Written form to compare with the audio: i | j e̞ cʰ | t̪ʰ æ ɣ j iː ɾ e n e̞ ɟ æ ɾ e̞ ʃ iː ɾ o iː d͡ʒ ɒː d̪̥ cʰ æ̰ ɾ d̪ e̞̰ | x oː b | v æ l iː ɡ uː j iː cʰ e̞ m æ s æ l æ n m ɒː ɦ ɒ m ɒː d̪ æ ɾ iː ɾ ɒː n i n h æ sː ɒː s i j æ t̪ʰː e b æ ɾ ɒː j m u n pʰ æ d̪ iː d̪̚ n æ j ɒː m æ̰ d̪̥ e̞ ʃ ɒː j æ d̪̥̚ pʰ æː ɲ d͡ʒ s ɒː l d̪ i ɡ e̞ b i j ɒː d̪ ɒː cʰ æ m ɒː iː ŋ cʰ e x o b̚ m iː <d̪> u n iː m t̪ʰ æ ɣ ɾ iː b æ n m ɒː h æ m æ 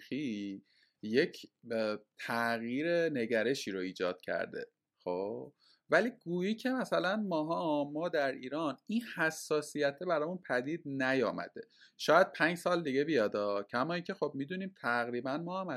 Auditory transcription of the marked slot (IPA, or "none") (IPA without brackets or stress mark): d̪